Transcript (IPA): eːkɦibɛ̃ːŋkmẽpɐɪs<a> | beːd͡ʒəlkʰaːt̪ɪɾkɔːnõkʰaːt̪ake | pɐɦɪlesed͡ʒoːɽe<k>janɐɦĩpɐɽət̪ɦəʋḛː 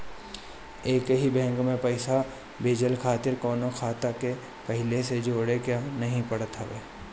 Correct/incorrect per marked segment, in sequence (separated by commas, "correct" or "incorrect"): correct, correct